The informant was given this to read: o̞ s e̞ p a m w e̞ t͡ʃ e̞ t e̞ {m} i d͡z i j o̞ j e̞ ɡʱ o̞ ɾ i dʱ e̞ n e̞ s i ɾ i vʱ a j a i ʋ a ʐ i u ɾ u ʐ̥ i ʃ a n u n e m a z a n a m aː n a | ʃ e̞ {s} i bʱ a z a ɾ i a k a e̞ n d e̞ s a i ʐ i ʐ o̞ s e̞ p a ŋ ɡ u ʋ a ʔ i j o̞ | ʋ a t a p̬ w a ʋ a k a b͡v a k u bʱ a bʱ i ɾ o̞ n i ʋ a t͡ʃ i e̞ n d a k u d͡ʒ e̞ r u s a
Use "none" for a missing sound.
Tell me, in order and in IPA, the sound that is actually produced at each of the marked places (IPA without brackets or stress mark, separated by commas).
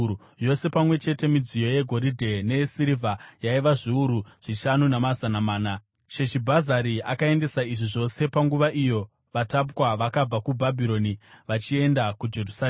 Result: m, ʃ